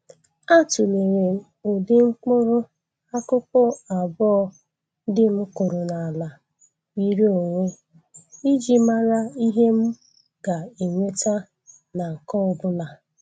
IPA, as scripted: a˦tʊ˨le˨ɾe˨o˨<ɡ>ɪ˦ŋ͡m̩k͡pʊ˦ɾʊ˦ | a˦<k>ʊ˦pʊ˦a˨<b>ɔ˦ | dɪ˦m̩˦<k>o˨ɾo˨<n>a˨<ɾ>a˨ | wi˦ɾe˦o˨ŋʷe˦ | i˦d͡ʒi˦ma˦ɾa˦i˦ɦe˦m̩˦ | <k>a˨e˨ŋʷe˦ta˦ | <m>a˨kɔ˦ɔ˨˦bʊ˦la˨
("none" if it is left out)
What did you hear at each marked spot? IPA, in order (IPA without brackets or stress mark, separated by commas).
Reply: d, k, b, k, n, l, ɡ, n